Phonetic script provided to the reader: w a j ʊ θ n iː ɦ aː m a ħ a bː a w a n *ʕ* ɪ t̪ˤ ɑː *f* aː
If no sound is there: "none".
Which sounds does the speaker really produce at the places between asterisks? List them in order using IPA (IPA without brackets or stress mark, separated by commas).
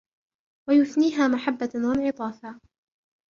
ʕ, f